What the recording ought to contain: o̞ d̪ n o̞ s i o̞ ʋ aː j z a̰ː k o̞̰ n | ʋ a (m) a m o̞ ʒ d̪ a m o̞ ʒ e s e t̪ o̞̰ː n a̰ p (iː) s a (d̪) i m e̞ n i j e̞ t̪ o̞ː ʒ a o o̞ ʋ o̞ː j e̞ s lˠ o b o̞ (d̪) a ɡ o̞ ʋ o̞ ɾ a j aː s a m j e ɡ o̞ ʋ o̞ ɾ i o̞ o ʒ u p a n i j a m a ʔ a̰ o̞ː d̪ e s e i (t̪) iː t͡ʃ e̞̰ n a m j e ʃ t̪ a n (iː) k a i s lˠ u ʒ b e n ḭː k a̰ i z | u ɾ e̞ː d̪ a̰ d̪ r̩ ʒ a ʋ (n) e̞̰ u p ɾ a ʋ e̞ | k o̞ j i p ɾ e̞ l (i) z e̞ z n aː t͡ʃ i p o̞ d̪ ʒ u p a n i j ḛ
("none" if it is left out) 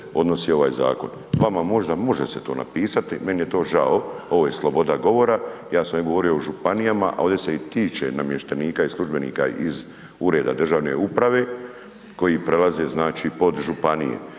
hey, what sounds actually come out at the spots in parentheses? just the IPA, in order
m, iː, t̪, d̪, t̪, iː, n, a

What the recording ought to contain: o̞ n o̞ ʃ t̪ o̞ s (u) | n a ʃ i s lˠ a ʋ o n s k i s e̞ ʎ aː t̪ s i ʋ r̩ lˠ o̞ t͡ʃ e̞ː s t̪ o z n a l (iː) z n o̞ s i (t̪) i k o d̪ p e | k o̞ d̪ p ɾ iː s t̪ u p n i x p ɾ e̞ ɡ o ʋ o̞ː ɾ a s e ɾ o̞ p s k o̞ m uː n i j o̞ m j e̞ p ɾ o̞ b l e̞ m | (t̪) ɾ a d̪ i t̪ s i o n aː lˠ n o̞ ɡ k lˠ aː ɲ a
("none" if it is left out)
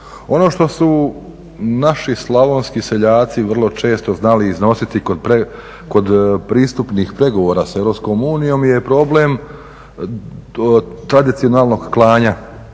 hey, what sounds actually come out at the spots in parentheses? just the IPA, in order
u, iː, t̪, t̪

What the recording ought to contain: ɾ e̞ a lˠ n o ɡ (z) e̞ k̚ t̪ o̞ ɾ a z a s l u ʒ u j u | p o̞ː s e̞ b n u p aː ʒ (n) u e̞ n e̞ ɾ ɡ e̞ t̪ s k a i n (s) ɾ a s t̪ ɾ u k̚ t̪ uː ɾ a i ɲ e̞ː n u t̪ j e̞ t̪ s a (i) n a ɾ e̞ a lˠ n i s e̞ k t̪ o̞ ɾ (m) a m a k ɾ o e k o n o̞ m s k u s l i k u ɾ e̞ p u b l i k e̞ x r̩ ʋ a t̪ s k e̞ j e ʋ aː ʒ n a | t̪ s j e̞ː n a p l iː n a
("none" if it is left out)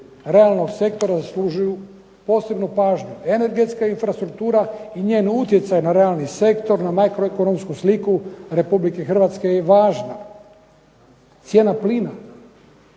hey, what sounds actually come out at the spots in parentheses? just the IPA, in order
s, ɲ, f, j, n

